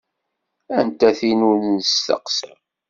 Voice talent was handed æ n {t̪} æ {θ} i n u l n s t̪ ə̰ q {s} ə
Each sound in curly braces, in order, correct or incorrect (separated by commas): correct, correct, correct